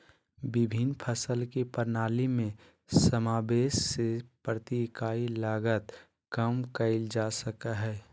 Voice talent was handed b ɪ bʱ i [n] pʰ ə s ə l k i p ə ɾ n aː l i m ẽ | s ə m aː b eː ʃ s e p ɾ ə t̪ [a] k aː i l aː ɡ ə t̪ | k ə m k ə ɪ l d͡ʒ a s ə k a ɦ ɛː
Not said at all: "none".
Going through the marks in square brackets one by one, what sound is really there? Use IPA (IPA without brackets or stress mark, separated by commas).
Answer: n, i